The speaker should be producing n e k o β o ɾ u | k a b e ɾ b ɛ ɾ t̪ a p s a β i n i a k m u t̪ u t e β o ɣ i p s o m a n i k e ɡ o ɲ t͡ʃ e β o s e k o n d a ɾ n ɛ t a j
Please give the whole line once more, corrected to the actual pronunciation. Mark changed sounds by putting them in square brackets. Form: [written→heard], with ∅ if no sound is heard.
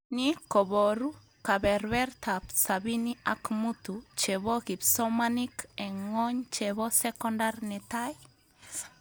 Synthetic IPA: n [e→i] k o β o ɾ u | k a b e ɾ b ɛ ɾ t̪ a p s a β i n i a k m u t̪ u [t→t͡ʃ] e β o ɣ i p s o m a n i k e [ɡ→ŋ] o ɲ t͡ʃ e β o s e k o n d a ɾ n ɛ t a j